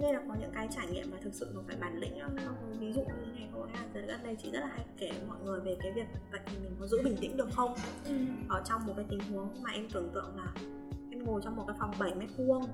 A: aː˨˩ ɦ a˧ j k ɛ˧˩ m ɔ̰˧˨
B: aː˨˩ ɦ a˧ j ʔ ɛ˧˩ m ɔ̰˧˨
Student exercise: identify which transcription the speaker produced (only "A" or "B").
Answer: A